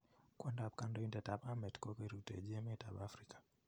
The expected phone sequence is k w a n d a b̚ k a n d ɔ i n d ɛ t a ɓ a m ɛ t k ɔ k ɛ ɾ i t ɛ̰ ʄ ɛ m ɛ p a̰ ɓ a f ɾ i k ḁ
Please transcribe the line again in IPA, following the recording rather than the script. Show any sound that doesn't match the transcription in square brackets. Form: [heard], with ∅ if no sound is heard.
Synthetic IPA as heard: k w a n d a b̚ k a n d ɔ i n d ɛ t a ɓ a m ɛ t k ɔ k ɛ ɾ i t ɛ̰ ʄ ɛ m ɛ [t] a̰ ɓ a f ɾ i k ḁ